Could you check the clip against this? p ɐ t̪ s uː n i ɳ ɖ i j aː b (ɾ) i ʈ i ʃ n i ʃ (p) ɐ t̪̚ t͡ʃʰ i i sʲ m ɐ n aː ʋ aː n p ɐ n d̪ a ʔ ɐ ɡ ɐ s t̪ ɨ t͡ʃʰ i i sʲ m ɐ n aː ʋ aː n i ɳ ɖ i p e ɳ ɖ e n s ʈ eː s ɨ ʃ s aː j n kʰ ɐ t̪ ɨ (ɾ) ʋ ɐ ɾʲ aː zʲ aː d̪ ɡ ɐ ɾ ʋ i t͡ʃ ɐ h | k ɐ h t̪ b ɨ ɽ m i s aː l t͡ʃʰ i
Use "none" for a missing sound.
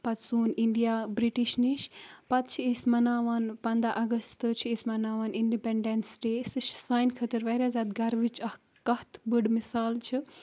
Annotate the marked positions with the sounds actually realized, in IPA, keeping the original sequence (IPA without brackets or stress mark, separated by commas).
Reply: ɾ, p, ɾ